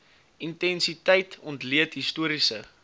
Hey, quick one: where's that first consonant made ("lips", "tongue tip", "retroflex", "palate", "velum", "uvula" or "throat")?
tongue tip